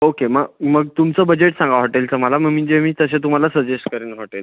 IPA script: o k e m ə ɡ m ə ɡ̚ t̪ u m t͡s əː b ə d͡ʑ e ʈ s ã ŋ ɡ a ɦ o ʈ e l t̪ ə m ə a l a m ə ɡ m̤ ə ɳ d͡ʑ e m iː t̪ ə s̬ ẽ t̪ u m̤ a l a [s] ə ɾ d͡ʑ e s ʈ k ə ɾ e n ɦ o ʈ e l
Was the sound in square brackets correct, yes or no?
yes